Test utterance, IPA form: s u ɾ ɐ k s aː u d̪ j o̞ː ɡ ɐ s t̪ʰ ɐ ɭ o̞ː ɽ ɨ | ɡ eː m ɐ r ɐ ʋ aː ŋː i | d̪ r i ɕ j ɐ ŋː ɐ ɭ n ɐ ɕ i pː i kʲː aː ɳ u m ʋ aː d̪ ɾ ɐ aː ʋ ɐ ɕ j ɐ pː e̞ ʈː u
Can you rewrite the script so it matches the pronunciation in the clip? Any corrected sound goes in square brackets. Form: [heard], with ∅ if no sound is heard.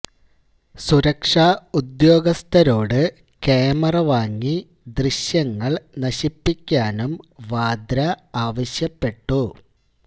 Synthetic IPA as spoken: s u ɾ ɐ k [ʂ] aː u d̪ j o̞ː ɡ ɐ s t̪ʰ ɐ [ɾ] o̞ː ɽ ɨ | [k] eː m ɐ r ɐ ʋ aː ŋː i | d̪ r i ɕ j ɐ ŋː ɐ ɭ n ɐ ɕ i pː i kʲː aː [n] u m ʋ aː d̪ ɾ ɐ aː ʋ ɐ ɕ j ɐ pː e̞ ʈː u